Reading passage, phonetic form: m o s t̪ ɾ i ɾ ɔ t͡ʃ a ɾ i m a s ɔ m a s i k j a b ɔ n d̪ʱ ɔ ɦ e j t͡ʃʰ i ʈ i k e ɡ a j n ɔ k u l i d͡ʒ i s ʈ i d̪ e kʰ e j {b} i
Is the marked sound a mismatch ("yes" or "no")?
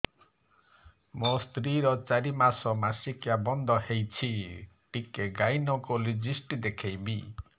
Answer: no